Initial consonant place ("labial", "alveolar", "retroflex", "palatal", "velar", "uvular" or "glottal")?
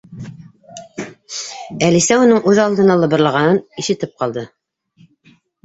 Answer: alveolar